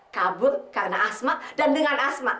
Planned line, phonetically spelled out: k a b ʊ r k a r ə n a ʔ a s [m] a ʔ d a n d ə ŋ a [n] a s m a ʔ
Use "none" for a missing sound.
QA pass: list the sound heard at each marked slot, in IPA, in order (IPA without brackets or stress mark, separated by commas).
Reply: m, n